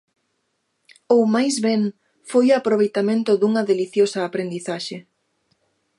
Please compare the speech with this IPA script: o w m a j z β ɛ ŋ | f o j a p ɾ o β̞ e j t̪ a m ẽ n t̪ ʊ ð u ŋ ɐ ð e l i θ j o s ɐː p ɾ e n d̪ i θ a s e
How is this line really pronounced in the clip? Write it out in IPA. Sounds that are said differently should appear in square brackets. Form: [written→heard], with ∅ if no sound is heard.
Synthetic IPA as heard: o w m a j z β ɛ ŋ | f o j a p ɾ o β̞ e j t̪ a m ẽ n t̪ ʊ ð u ŋ ɐ ð e l i θ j o s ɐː p ɾ e n d̪ i θ a [s→ʃ] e